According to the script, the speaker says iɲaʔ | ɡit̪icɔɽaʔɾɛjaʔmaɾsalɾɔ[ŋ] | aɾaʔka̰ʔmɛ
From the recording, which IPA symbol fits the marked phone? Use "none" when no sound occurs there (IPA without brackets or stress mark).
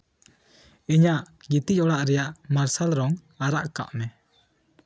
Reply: ŋ